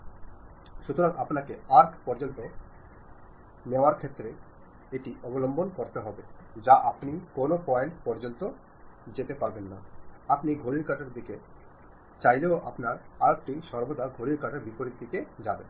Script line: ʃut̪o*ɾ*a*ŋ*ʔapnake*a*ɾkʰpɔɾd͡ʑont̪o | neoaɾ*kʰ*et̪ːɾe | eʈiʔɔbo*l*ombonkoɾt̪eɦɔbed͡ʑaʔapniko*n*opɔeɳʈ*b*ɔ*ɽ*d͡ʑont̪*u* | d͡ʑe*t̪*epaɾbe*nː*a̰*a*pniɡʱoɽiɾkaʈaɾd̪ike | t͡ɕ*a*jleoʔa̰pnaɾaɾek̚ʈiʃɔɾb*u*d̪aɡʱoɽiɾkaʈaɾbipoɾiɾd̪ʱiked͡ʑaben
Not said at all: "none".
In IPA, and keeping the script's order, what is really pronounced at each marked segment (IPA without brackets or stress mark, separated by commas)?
ɾ, ŋ, a, kʰ, l, n, p, ɾ, o, t̪, nː, a, a, o